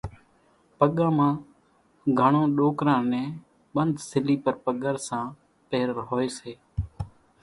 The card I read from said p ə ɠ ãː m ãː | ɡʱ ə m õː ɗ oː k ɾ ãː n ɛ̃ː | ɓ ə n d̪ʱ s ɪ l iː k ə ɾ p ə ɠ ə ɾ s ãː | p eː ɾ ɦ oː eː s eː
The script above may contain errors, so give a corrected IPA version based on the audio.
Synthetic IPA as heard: p ə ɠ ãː m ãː | ɡʱ ə ɳ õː ɗ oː k ɾ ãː n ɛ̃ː | ɓ ə n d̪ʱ s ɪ l iː p ə ɾ p ə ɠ ə ɾ s ãː | p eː ɾ ɦ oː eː s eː

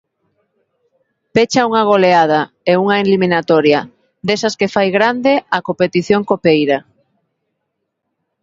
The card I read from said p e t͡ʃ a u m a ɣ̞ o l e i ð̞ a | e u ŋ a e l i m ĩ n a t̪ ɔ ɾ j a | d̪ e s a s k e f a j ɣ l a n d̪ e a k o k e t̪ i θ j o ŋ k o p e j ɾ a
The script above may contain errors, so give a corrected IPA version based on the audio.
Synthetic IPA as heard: p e t͡ʃ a u ŋ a ɣ̞ o l e a ð̞ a | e u ŋ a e l i m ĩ n a t̪ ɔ ɾ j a | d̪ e s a s k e f a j ɣ ɾ a n d̪ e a k o p e t̪ i θ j o ŋ k o p e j ɾ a

